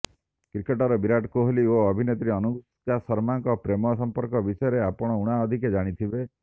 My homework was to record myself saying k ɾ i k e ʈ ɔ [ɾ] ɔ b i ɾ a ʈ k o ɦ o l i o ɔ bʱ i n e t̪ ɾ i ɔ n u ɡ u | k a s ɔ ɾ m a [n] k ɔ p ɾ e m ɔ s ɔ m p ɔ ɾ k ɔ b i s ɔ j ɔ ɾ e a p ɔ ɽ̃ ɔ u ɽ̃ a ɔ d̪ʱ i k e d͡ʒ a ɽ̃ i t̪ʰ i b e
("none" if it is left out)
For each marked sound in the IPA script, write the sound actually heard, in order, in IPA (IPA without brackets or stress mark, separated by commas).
ɾ, ŋ